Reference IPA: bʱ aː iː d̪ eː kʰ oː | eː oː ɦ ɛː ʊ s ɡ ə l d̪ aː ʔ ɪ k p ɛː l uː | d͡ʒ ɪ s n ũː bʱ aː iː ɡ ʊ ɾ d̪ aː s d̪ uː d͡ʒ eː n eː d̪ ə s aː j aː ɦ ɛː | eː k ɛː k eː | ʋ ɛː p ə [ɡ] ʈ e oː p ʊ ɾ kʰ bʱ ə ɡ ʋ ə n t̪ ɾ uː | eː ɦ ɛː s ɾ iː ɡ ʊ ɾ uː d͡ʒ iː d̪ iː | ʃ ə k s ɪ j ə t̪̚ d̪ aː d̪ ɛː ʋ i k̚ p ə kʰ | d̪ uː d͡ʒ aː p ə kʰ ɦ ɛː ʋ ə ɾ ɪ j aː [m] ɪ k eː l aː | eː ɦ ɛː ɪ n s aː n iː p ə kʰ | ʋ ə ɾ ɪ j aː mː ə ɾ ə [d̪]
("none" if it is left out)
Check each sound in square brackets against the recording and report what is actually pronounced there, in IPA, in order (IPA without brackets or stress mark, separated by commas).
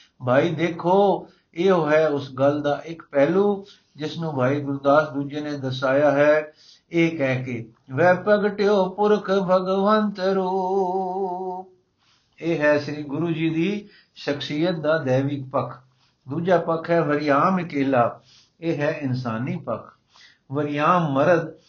ɡ, m, d̪